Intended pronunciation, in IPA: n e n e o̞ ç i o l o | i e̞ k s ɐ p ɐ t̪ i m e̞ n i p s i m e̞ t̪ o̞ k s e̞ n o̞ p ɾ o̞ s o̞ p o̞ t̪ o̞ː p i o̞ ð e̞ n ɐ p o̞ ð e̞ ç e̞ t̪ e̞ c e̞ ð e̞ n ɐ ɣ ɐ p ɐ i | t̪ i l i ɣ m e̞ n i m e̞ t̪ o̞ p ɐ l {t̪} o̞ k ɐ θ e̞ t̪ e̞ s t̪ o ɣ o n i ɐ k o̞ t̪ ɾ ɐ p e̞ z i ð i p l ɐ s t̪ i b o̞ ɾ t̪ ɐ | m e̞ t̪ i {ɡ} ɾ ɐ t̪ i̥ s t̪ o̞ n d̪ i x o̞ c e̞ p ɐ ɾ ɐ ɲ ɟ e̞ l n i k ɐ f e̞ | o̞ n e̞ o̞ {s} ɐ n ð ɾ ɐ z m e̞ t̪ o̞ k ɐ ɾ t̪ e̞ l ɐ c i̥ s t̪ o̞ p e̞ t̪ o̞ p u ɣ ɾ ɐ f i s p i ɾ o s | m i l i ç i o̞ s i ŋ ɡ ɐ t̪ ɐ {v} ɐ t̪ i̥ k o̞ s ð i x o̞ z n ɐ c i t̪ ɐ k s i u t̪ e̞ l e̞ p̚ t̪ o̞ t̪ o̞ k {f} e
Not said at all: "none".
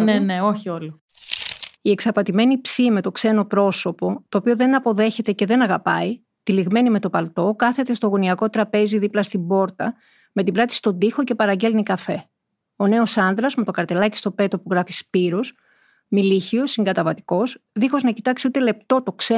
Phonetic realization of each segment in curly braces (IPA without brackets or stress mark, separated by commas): t̪, b, s, v, s